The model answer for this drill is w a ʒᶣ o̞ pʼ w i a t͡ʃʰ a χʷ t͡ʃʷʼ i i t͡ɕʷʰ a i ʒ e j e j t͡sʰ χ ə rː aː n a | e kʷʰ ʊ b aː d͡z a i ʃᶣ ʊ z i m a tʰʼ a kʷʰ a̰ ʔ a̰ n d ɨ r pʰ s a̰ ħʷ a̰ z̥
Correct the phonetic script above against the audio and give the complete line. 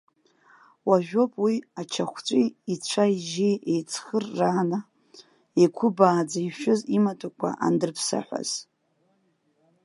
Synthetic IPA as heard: w a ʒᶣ o̞ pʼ w i a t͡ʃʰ a χʷ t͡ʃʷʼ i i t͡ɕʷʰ a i ʒ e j e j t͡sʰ χ ə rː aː n a | e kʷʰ ʊ b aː d͡z a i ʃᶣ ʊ z i m a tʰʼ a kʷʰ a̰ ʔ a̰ n d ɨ r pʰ s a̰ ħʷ a̰ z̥